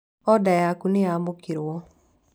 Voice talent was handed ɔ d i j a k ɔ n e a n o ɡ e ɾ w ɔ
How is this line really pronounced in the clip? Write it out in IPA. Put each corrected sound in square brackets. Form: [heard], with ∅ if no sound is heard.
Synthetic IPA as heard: ɔ d [a] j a k [u] n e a [m] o [k] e ɾ w ɔ